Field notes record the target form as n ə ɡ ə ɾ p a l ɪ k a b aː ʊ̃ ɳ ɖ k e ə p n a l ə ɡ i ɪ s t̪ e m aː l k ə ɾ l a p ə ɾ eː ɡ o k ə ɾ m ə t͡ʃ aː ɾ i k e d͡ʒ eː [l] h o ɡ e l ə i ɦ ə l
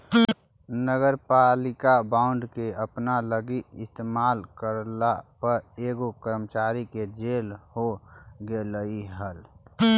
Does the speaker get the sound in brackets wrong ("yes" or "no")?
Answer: no